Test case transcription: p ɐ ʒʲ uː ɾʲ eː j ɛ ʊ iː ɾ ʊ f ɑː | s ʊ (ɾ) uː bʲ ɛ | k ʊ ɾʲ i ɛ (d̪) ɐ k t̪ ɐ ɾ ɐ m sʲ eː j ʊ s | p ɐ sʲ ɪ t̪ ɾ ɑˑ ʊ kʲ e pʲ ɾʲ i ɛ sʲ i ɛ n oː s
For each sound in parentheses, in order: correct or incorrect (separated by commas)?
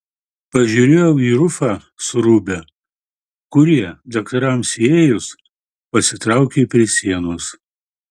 correct, correct